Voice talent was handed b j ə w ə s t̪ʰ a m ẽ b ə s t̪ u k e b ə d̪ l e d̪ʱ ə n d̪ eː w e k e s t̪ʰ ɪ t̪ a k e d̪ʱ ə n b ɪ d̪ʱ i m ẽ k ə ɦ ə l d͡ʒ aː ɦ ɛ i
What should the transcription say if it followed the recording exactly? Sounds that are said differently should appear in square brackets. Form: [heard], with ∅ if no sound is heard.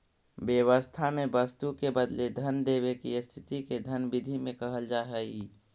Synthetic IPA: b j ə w ə s t̪ʰ a m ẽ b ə s t̪ u k e b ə d̪ l e d̪ʱ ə n d̪ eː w e k [i] s t̪ʰ ɪ t̪ [i] k e d̪ʱ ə n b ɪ d̪ʱ i m ẽ k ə ɦ ə l d͡ʒ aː ɦ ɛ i

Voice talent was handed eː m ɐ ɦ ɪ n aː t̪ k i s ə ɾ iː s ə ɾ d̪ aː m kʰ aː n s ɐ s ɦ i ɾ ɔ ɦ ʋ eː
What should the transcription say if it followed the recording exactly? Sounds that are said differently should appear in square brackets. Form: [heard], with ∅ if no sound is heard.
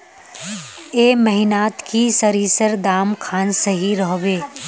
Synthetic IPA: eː m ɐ ɦ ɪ n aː t̪ k i s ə ɾ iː s ə ɾ d̪ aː m kʰ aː n s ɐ [∅] ɦ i ɾ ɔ ɦ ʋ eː

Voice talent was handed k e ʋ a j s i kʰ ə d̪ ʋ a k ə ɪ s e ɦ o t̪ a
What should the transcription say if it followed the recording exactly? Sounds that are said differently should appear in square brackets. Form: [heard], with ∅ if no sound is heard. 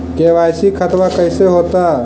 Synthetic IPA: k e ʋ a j s i kʰ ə [t̪] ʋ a k ə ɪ s e ɦ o t̪ a

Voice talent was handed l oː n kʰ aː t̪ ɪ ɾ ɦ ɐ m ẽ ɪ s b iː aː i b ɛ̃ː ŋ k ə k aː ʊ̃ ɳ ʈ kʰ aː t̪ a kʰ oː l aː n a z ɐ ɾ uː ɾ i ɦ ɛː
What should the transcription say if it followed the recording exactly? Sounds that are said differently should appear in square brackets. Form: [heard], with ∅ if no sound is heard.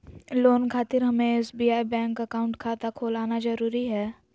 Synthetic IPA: l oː n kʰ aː t̪ ɪ ɾ ɦ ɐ m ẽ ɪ s b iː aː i b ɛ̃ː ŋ k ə k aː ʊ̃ ɳ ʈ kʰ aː t̪ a kʰ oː l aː n a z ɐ ɾ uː ɾ i ɦ ɛː

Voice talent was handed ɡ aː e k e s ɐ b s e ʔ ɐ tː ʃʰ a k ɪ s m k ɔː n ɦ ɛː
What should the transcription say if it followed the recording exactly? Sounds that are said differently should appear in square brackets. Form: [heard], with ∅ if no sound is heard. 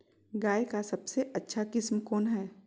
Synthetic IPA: ɡ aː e k [a] s ɐ b s e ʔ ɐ tː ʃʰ a k ɪ s m k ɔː n ɦ ɛː

